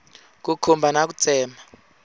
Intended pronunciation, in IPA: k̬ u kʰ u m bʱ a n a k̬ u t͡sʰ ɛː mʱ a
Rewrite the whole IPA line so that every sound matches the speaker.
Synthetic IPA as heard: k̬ u kʰ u m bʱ a n a k̬ u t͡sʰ ɛː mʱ a

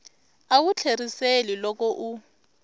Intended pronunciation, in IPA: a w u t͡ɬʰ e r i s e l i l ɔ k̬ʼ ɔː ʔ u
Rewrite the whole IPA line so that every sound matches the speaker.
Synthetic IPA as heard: a w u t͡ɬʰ e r i s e l i l ɔ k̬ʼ ɔ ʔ u

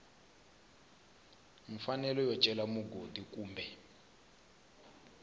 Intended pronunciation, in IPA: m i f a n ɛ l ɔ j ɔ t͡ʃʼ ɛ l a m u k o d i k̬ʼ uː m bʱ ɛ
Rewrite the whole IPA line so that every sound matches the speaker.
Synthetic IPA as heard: m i f a n ɛ l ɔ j ɔ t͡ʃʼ ɛ l a m u ɡ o d i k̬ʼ uː m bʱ ɛ

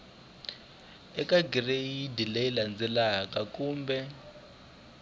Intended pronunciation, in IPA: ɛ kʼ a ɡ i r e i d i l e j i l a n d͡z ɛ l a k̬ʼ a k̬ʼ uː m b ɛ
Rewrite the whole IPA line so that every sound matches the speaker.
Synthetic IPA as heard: ɛ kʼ a ɡ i r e i d i l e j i l a n d͡z ɛ l a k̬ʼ a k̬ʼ uː m b ɛ

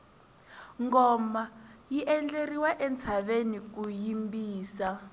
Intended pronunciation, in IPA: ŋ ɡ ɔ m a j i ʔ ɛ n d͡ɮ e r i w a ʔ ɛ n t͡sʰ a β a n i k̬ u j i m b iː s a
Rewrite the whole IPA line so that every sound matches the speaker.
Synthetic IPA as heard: ŋ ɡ ɔ m a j i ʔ ɛ n d͡ɮ e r i w a ʔ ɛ n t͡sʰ a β e n i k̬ u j i m b iː s a

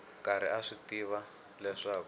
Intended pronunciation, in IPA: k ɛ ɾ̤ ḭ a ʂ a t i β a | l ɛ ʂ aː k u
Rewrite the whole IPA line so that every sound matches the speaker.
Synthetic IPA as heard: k a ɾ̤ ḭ a ʂ i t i β a | l ɛ ʂ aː k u

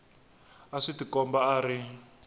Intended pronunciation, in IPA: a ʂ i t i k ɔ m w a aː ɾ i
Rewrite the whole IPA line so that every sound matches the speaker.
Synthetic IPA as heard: a ʂ i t i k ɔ m b a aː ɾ i

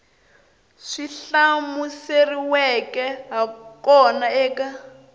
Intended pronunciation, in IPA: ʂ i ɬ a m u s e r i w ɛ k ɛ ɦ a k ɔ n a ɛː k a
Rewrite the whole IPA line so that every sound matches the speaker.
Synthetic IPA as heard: ʂ i ɬ a m u s e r i w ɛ k ɛ ɦ a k ɔ n a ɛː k a

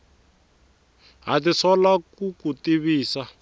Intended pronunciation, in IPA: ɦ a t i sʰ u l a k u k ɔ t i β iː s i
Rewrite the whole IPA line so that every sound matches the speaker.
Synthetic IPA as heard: ɦ a t i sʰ ɔ l a k u k u t i β iː s a

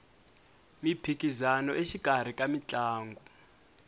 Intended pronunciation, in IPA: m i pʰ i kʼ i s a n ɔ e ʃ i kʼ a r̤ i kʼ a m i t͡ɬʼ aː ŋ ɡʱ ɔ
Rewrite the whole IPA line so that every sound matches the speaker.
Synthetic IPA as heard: m i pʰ i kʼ i z a n ɔ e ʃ i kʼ a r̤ i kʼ a m i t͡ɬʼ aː ŋ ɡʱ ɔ

